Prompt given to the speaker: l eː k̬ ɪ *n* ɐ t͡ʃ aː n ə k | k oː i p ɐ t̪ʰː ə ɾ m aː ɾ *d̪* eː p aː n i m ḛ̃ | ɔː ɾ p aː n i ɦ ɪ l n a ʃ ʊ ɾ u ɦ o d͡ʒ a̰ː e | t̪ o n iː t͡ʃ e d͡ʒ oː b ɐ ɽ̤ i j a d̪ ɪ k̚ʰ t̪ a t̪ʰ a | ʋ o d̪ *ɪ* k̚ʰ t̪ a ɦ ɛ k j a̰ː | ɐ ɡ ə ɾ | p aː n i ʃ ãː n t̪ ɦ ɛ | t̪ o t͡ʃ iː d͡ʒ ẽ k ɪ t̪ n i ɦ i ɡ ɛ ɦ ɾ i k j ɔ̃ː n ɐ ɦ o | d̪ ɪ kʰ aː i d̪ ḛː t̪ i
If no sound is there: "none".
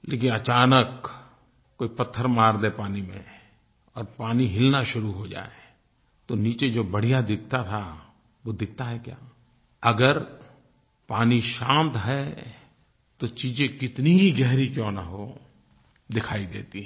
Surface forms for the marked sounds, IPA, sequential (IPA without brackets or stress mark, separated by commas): n, d̪, ɪ